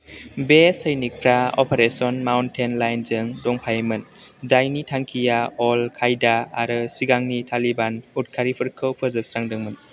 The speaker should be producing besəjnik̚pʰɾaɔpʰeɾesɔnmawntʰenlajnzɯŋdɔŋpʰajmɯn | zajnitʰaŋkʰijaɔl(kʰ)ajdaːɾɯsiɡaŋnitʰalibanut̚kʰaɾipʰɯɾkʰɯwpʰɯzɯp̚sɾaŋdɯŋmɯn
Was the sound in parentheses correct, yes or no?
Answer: yes